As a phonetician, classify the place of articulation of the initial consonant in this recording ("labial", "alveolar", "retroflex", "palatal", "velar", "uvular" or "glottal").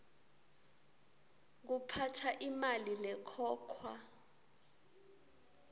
velar